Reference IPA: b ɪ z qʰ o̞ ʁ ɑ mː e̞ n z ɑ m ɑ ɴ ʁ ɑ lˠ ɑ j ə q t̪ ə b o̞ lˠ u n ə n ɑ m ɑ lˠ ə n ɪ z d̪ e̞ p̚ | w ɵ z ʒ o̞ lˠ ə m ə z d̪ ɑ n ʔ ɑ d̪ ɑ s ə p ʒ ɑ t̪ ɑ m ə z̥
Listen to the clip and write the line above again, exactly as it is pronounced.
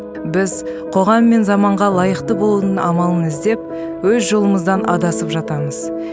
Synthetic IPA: b ɪ z qʰ o̞ ʁ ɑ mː e̞ n z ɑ m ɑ ɴ ʁ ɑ lˠ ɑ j ə q t̪ ə b o̞ lˠ u n ə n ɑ m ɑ lˠ ə n ɪ z d̪ e̞ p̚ | w ɵ z ʒ o̞ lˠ ə m ə z d̪ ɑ n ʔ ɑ d̪ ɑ s ə p ʒ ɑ t̪ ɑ m ə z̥